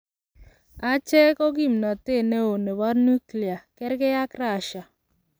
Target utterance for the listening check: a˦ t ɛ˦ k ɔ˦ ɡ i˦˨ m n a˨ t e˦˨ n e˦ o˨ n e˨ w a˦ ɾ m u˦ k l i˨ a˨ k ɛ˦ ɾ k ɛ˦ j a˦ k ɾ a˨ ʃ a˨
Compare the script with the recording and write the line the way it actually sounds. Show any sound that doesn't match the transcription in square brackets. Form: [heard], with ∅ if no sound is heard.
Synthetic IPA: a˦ [t͡ʃ] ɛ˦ k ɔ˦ ɡ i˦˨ m n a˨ t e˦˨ n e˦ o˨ n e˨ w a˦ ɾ [n] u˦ k l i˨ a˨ k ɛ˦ ɾ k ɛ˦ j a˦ k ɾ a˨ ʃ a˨